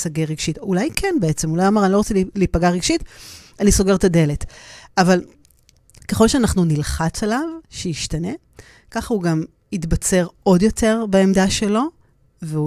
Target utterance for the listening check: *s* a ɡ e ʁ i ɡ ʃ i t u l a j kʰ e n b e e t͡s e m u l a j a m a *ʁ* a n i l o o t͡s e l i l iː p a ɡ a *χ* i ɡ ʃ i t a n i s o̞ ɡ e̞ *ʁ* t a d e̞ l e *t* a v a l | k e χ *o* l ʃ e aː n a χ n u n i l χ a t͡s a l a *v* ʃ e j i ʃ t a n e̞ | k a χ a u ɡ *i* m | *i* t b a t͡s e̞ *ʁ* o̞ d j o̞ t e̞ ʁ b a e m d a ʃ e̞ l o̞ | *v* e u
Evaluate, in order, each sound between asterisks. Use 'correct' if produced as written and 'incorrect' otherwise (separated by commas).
correct, correct, incorrect, correct, correct, correct, correct, incorrect, correct, correct, correct